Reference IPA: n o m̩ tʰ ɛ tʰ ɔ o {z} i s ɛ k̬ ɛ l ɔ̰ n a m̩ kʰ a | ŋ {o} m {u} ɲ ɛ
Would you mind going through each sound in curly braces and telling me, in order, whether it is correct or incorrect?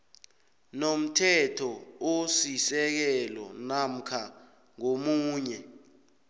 incorrect: s, correct, incorrect: uː

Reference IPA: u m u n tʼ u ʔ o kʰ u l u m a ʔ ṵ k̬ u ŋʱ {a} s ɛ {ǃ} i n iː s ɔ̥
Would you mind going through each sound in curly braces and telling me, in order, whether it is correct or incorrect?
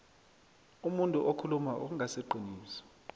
correct, correct

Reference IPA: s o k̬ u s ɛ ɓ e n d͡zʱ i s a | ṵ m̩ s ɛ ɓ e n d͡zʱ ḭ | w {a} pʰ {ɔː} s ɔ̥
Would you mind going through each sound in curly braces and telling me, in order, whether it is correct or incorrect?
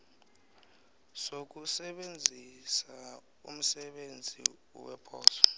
incorrect: ɛ, correct

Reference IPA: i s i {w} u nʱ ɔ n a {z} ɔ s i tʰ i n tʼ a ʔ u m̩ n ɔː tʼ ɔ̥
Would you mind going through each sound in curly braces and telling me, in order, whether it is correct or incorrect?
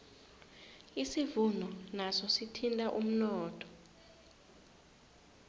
incorrect: v, incorrect: s

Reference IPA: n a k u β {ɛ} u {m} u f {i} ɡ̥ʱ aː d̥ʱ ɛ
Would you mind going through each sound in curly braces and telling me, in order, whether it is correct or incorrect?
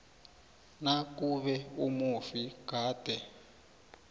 correct, correct, correct

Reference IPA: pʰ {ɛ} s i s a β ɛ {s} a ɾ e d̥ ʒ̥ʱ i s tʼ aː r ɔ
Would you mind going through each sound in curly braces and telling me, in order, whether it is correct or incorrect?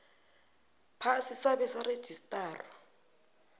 incorrect: a, correct

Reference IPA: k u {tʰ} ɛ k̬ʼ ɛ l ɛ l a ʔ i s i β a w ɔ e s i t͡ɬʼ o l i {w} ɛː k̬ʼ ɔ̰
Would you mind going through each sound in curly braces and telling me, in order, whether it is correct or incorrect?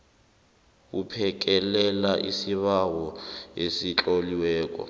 incorrect: pʰ, correct

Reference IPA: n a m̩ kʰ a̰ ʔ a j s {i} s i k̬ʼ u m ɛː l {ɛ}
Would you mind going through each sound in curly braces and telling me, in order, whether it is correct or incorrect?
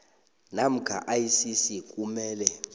correct, correct

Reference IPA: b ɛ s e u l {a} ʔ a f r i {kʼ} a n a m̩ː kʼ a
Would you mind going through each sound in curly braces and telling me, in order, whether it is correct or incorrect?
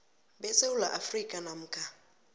correct, correct

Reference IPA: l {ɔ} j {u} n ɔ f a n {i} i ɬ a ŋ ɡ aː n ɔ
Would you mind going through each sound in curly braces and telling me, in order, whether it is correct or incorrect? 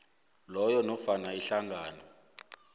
correct, incorrect: ɔ, incorrect: a

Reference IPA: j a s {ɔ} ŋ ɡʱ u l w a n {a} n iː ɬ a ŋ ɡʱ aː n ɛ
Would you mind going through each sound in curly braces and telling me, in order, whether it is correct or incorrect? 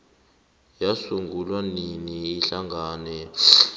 incorrect: u, incorrect: i

